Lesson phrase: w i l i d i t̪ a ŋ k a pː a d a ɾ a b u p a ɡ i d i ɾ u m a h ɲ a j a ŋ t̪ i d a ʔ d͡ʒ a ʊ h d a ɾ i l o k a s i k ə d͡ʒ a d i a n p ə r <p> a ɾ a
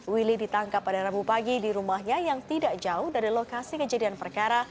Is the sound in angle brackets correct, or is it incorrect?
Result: incorrect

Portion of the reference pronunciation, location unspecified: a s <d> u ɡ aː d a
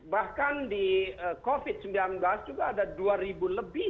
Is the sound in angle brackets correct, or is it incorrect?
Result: incorrect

